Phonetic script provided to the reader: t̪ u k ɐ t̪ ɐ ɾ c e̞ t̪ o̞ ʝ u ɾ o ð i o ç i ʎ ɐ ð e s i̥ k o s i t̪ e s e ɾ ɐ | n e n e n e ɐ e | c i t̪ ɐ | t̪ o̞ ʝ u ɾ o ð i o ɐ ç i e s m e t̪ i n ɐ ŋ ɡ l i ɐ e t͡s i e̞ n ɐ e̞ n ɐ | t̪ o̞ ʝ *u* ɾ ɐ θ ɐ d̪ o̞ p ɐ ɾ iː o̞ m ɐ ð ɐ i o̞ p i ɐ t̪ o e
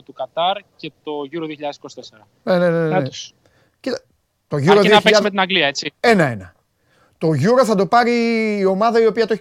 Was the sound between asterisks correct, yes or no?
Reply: yes